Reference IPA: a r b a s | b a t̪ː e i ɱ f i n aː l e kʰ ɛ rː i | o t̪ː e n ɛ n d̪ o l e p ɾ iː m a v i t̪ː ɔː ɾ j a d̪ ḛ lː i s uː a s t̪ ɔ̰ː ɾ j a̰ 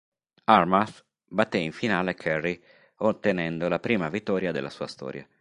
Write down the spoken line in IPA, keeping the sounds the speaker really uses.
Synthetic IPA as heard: a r m a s | b a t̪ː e i ɱ f i n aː l e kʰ ɛ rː i | o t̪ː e n ɛ n d̪ o l a p ɾ iː m a v i t̪ː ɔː ɾ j a d̪ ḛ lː a s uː a s t̪ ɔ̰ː ɾ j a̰